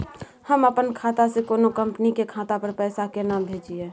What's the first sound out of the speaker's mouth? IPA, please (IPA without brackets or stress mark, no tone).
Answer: h